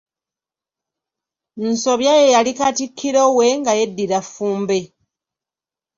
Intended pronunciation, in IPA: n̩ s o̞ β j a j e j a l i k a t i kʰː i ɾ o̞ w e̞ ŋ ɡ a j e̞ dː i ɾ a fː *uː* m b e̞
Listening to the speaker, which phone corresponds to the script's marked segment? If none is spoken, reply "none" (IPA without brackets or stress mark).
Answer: uː